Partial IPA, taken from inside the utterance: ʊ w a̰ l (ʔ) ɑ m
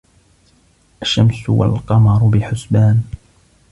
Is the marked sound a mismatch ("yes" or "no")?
yes